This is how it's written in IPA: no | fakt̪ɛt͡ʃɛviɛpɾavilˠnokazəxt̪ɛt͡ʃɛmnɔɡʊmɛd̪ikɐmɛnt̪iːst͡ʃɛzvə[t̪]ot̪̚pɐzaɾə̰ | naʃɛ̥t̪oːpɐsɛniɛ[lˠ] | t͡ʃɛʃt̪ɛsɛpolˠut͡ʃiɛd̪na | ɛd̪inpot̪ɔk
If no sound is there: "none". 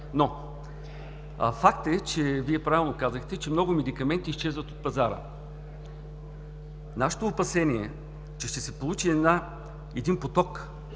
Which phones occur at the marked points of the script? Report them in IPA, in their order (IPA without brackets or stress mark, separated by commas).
t̪, none